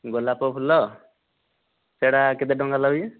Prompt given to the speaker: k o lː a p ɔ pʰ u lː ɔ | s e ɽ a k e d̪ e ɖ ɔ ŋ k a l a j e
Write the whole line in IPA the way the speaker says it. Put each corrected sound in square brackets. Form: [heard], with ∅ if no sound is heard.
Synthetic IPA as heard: [ɡ] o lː a p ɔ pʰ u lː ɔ | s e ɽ a k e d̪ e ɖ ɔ ŋ [ɡ] a l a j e

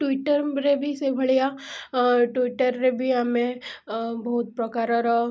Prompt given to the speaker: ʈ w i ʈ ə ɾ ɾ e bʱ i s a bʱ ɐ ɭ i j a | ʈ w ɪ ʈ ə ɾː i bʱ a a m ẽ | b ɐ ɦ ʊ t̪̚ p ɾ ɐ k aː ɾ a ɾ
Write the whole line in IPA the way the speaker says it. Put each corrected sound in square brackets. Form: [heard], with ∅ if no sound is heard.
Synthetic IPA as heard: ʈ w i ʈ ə ɾ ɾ e bʱ i s [e] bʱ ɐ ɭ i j a | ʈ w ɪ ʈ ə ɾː [e] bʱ [i] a m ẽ | b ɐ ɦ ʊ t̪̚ p ɾ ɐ k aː ɾ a ɾ

